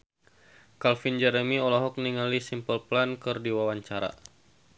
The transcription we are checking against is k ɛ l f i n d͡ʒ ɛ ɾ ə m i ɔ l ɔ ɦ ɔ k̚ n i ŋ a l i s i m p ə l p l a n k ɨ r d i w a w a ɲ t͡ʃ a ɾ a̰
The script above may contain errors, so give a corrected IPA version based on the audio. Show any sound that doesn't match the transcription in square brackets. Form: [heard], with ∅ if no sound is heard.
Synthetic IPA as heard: k [a] l f i n d͡ʒ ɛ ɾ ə m i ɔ l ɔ ɦ ɔ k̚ n i ŋ a l i s i m p ə l p l a n k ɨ r d i w a w a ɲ t͡ʃ a ɾ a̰